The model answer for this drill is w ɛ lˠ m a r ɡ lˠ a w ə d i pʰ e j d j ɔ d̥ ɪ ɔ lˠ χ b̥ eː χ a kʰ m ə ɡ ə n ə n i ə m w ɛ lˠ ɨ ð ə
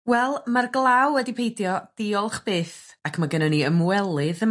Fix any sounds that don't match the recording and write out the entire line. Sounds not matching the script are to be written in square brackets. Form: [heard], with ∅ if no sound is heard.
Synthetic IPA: w ɛ lˠ m a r ɡ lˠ a w ə d i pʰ e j d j ɔ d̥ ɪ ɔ lˠ χ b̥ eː [θ] a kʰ m [a] ɡ ə n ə n i ə m w ɛ lˠ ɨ ð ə